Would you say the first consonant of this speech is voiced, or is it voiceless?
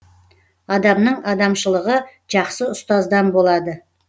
voiced